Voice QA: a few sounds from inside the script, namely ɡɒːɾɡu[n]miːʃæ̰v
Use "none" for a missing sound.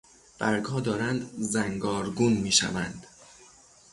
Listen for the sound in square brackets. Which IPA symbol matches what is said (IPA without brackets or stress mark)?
n